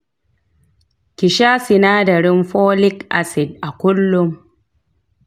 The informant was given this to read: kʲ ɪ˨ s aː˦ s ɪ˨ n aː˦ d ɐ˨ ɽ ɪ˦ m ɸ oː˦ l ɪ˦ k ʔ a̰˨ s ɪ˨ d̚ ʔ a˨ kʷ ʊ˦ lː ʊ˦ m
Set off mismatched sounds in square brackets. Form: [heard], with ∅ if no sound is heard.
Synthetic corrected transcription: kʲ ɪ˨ [ʃ] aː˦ s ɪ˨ n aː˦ d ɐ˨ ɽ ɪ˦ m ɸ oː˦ l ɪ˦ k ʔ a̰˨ s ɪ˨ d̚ ʔ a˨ kʷ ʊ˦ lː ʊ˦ m